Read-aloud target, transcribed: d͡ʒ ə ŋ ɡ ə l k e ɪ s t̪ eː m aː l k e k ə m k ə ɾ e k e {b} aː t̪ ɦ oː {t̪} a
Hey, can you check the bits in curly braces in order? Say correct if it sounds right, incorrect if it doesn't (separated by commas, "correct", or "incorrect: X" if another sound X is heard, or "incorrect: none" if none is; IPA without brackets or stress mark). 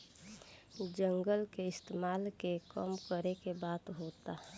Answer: correct, correct